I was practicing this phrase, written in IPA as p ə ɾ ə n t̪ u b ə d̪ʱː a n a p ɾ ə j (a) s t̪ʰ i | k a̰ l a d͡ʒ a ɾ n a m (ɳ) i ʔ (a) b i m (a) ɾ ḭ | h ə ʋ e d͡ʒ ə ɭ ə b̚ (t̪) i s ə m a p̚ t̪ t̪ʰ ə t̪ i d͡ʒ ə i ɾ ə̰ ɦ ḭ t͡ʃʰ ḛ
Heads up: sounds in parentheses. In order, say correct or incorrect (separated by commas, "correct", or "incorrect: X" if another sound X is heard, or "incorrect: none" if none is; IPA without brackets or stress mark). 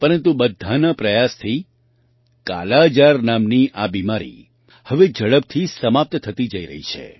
correct, incorrect: n, correct, correct, incorrect: t̪ʰ